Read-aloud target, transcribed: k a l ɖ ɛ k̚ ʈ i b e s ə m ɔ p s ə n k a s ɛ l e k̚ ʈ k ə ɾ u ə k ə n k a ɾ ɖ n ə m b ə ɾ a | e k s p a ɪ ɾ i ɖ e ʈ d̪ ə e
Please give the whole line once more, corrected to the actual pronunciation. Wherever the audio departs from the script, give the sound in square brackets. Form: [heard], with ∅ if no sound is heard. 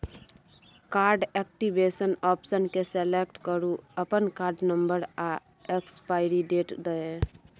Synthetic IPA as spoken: k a [ɾ] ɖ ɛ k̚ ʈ i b e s ə [n] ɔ p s ə n k [e] s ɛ l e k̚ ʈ k ə ɾ u ə [p] ə n k a ɾ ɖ n ə m b ə ɾ a | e k s p a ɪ ɾ i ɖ e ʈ d̪ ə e